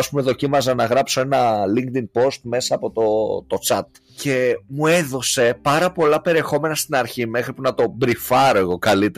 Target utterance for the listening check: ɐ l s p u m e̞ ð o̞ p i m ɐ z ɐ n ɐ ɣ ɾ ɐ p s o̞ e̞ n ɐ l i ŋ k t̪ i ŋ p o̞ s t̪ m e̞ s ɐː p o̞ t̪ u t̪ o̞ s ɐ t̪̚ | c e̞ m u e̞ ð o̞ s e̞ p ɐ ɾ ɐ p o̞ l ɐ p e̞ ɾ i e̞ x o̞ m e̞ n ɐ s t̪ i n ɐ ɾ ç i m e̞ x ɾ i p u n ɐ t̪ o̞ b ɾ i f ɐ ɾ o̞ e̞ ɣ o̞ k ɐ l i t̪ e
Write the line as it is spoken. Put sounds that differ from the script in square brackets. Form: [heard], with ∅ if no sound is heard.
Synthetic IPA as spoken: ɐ [∅] s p u m e̞ ð o̞ [c] i m ɐ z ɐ n ɐ ɣ ɾ ɐ p s o̞ e̞ n ɐ l i ŋ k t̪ i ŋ p o̞ s t̪ m e̞ s ɐː p o̞ t̪ [o] t̪ o̞ [t͡s] ɐ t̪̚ | c e̞ m u e̞ ð o̞ s e̞ p ɐ ɾ ɐ p o̞ l ɐ p e̞ ɾ i e̞ x o̞ m e̞ n ɐ s t̪ i n ɐ ɾ ç i m e̞ x ɾ i p u n ɐ t̪ o̞ b ɾ i f ɐ ɾ o̞ e̞ ɣ o̞ k ɐ l i t̪ e